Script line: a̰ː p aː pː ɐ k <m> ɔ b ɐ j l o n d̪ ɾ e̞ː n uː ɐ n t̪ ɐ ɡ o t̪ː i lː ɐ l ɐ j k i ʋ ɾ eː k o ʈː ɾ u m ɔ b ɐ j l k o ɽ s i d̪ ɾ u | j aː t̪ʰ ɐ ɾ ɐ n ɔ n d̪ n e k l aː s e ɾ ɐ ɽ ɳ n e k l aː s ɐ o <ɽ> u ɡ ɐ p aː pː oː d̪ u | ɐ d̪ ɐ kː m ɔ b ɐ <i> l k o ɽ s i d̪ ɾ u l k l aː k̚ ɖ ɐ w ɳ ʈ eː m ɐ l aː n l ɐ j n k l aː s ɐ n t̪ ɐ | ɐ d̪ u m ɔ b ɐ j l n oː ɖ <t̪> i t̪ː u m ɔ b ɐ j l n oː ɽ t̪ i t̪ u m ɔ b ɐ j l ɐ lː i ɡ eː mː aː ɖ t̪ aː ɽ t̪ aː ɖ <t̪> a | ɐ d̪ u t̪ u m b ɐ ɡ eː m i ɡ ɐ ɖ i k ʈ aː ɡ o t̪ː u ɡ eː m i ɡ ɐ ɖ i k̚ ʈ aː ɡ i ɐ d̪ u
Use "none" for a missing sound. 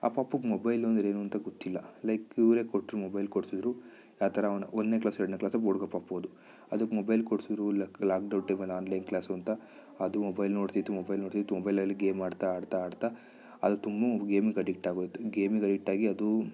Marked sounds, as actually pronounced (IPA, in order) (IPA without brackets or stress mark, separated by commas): m, ɽ, j, t̪, t̪